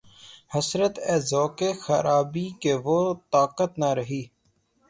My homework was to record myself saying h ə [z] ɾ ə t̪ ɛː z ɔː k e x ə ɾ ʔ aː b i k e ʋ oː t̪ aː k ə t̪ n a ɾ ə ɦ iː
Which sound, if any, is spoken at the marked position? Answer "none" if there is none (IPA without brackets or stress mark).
s